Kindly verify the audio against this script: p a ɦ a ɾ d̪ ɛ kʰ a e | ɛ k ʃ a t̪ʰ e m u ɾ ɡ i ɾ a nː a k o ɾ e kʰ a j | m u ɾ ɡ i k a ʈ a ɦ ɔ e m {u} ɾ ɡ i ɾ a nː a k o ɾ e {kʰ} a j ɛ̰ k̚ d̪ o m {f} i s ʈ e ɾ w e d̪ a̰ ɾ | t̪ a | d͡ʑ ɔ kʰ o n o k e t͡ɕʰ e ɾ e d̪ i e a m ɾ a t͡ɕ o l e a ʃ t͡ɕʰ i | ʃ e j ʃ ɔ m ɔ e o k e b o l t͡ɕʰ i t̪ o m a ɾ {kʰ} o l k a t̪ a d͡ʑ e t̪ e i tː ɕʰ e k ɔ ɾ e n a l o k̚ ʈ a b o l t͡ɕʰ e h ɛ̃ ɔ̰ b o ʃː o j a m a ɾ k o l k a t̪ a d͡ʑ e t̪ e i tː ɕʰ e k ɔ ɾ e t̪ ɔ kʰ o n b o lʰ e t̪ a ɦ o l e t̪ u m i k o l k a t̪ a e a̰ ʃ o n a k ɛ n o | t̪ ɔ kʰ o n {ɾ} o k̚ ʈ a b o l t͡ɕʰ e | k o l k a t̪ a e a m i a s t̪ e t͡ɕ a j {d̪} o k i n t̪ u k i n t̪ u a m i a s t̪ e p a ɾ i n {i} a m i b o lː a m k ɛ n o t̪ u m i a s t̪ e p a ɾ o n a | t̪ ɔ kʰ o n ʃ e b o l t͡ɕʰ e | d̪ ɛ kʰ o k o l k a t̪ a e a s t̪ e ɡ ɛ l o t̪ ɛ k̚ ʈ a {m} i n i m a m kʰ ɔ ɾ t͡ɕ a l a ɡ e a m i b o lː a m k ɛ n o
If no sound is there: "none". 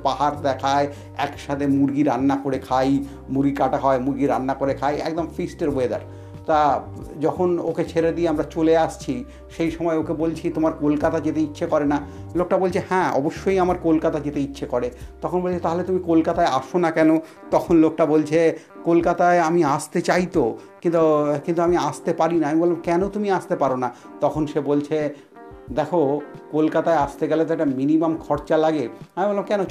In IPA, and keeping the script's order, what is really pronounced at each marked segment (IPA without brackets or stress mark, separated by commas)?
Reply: u, kʰ, f, k, l, t̪, a, m